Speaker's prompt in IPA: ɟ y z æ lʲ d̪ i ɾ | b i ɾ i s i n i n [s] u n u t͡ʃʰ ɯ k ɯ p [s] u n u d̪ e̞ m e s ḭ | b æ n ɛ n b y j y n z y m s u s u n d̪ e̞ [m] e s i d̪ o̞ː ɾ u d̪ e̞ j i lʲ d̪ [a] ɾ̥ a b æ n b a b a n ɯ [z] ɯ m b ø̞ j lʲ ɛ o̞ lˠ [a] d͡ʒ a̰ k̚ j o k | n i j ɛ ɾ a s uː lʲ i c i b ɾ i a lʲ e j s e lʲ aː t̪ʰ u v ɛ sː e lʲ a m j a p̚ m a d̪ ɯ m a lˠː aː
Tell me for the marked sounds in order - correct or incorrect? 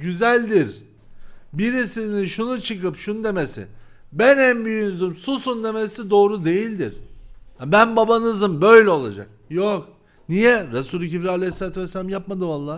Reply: incorrect, incorrect, correct, incorrect, correct, correct

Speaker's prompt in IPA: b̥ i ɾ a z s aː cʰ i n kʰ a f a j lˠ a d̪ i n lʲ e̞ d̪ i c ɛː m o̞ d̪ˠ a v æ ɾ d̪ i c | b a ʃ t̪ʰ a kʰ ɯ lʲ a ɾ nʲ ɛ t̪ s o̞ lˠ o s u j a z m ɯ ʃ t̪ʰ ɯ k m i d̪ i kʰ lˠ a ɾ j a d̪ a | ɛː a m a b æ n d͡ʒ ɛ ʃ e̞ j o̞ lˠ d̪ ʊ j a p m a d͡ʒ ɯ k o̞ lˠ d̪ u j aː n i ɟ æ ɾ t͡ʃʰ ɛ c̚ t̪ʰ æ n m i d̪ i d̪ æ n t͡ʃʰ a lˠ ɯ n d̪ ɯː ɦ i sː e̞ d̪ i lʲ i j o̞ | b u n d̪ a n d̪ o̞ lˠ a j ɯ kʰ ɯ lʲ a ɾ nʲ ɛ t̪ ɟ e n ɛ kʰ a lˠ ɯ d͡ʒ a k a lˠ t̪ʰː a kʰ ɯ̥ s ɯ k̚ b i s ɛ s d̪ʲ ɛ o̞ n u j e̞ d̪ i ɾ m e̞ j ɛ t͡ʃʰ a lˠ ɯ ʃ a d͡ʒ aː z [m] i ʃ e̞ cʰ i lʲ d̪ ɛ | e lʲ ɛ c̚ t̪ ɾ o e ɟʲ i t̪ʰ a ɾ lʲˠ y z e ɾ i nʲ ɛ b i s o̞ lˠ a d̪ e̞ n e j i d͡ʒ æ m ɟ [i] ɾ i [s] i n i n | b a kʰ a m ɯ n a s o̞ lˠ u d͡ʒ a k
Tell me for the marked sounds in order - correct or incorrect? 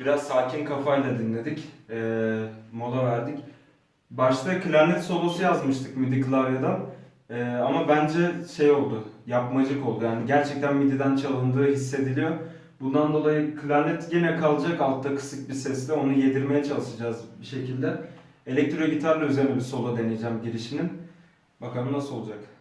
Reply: incorrect, correct, incorrect

